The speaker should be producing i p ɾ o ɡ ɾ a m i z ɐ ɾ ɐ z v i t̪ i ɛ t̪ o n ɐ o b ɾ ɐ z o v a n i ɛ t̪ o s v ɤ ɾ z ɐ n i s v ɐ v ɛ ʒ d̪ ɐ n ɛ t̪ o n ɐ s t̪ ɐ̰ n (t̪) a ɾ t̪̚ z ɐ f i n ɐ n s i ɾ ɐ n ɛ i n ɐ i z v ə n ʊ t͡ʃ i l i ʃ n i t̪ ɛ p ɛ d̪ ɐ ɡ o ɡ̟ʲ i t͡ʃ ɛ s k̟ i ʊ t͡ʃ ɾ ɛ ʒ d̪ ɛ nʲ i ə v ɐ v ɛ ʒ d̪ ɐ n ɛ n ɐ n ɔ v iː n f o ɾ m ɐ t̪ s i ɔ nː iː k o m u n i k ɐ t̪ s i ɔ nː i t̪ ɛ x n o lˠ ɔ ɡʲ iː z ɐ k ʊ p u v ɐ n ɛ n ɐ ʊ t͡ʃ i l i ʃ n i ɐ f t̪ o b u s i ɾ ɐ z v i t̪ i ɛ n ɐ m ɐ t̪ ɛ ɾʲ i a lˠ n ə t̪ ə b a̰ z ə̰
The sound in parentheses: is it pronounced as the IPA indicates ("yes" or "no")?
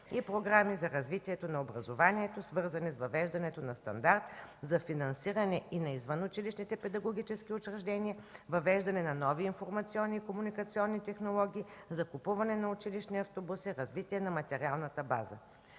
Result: no